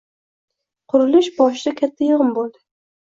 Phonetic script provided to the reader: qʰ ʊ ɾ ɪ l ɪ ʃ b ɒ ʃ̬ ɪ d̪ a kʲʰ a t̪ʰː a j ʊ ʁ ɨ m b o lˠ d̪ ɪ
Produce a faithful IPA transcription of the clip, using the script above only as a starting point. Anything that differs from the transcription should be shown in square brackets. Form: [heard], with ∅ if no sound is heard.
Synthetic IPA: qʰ ʊ ɾ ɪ l ɪ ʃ b ɒ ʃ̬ ɪ d̪ a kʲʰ a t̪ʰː a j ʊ ʁ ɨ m b o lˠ d̪ ɪ